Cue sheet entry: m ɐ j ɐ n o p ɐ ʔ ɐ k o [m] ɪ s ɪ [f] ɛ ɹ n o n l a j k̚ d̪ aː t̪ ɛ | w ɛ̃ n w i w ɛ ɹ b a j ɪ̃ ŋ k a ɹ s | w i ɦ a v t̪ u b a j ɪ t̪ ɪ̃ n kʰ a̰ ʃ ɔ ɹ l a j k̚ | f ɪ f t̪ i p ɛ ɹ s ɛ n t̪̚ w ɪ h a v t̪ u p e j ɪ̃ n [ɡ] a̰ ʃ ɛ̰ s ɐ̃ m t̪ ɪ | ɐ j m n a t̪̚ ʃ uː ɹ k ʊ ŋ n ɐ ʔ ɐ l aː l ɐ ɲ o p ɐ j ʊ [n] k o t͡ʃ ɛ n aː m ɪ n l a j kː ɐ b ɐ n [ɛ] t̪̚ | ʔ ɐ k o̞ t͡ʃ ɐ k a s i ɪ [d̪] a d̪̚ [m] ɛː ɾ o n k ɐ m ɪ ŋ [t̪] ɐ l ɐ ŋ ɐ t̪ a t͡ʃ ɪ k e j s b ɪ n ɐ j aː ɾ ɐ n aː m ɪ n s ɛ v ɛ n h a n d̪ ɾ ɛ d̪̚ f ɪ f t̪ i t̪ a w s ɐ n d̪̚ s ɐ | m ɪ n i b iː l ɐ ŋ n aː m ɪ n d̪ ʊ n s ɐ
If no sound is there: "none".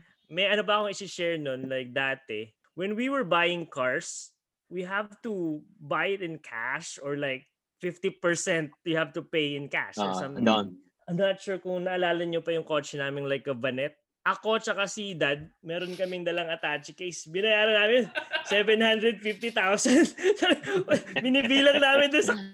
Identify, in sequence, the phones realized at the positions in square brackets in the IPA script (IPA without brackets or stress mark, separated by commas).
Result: ŋ, ʃ, k, ŋ, ɛ, d̪, m, d̪